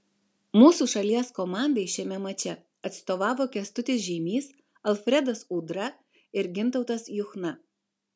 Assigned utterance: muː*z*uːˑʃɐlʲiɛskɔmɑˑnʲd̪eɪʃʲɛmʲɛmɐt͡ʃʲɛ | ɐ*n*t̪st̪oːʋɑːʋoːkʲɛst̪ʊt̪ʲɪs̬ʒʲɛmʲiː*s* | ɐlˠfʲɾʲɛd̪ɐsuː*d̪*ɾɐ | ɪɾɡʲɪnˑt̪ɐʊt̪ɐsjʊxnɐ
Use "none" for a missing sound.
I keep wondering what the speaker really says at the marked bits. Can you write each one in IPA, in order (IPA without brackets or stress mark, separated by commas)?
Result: s, none, s, d̪